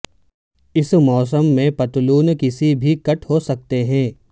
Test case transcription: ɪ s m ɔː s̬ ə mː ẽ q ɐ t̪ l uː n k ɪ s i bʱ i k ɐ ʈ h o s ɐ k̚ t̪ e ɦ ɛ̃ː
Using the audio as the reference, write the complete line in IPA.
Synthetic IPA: ɪ s m ɔː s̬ ə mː ẽ p ɐ t̪ l uː n k ɪ s i bʱ i k ɐ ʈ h o s ɐ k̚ t̪ e ɦ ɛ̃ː

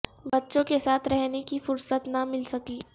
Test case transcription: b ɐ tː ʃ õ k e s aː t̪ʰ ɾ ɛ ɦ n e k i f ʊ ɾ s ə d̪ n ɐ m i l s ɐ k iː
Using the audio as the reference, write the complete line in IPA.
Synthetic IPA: b ɐ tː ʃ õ k e s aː t̪ʰ ɾ ɛ ɦ n e k i f ʊ ɾ s ə t̪ n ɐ m ɪ l s ɐ k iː

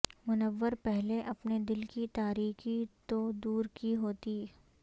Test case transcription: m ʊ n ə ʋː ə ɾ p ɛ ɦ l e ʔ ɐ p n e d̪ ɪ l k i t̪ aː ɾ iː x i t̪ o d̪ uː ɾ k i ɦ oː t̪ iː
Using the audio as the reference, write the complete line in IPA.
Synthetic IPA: m ʊ n ə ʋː ə ɾ p ɛ ɦ l e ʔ ɐ p n e d̪ ɪ l k i t̪ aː ɾ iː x i t̪ o d̪ uː ɾ k i ɦ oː t̪ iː

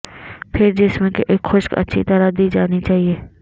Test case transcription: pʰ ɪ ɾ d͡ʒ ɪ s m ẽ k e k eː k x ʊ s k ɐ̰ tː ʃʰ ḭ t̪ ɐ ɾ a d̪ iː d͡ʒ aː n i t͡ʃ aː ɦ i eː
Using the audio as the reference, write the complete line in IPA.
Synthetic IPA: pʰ ɪ ɾ d͡ʒ ɪ s m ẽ k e ʔ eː k x ʊ ʃ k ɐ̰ tː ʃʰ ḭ t̪ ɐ ɾ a d̪ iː d͡ʒ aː n i t͡ʃ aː ɦ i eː

